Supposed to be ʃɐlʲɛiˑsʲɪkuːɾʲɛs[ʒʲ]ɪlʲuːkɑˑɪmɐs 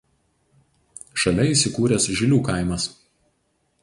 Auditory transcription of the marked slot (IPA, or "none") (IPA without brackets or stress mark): ʒʲ